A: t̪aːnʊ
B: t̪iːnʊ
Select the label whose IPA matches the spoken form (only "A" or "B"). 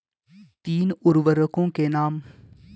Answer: B